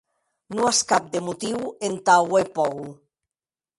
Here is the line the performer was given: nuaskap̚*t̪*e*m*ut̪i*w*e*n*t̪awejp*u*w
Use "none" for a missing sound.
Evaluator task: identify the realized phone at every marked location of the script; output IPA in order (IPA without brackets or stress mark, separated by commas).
d̪, m, w, n, ɔ